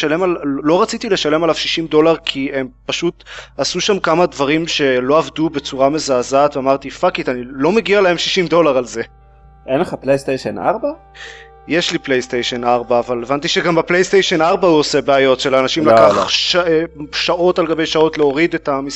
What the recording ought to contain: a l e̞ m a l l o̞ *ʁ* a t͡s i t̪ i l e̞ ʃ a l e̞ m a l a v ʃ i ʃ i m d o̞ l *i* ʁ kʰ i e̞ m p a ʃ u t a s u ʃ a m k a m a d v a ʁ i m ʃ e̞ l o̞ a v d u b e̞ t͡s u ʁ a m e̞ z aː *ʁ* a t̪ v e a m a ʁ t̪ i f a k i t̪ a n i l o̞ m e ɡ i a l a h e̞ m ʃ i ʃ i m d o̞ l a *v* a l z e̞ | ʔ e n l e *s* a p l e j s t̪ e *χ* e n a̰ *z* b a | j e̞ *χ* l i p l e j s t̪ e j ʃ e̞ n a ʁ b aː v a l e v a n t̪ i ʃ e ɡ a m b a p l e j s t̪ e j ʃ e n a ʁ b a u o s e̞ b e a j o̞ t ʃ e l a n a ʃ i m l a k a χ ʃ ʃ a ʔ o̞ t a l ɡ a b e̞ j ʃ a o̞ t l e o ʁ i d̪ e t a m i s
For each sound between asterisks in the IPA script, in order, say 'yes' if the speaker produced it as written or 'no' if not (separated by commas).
yes, no, no, no, no, no, no, no